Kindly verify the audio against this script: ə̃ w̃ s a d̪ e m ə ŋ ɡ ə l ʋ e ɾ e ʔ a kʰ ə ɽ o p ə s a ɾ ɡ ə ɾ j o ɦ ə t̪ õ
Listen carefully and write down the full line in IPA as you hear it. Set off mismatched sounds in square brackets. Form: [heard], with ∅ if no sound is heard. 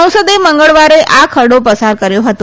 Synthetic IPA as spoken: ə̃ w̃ s [ə] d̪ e m ə ŋ ɡ ə [ɭ] ʋ [a] ɾ e ʔ a kʰ ə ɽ o p ə s a ɾ [k] ə ɾ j o ɦ ə t̪ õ